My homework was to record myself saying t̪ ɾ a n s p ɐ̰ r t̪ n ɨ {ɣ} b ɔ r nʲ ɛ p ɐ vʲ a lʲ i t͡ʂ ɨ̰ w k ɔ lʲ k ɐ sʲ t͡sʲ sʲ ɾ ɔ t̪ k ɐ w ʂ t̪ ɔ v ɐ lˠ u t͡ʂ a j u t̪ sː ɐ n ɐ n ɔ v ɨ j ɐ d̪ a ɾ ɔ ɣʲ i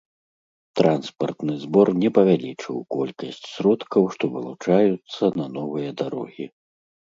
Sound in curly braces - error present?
yes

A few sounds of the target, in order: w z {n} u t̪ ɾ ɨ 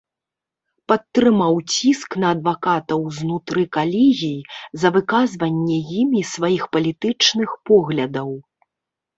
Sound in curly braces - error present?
no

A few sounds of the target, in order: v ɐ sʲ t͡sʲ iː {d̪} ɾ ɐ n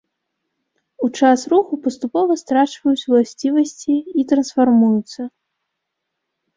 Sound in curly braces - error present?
yes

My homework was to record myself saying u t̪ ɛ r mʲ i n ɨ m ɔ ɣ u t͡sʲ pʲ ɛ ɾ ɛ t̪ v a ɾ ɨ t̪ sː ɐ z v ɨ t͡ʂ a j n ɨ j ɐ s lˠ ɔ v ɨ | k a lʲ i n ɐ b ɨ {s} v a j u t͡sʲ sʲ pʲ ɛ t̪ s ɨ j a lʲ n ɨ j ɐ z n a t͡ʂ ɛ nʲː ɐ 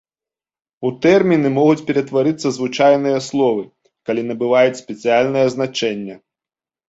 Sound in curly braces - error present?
yes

